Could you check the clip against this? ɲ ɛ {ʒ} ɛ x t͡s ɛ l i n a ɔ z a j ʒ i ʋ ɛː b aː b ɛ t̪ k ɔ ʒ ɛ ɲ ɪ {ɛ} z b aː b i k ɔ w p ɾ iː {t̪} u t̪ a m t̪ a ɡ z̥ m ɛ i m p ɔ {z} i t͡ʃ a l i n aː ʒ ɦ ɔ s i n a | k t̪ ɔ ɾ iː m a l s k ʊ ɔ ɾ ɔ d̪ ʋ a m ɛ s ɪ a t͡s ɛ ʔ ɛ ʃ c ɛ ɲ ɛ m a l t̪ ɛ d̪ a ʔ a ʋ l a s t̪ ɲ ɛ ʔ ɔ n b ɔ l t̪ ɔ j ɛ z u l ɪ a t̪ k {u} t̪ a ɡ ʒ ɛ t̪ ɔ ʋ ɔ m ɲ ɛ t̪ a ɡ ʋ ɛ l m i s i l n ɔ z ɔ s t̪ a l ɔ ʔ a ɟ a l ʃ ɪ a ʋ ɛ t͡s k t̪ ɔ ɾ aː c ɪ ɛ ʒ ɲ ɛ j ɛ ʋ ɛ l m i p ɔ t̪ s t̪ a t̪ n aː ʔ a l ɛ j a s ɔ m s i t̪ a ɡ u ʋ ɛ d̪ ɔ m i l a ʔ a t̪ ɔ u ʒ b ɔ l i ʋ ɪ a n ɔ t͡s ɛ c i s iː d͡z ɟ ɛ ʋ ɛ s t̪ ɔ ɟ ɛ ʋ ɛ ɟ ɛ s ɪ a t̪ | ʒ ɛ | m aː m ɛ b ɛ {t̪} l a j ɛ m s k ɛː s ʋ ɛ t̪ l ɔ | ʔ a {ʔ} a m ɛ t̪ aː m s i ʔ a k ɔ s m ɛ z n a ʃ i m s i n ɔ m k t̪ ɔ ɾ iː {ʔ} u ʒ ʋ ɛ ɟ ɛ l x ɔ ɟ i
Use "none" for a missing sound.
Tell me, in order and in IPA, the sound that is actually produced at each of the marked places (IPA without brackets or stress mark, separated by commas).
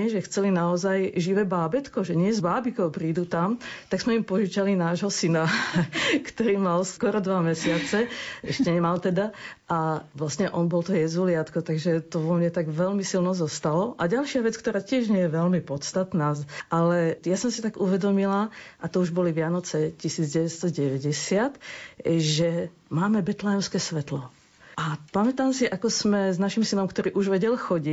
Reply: ʒ, ɛ, d̪, ʒ, ɔ, t̪, p, ʔ